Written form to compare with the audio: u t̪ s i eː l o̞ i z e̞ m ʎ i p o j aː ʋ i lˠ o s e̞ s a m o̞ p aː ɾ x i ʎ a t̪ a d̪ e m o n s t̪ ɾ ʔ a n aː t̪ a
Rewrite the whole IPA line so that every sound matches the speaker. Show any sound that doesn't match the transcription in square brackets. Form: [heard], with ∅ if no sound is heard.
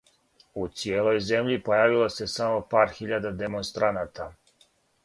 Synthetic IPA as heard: u t̪ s i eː l o̞ [j] z e̞ m ʎ i p o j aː ʋ i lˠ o s e̞ s a m o̞ p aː ɾ x i ʎ a [d̪] a d̪ e m o n s t̪ ɾ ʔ a n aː t̪ a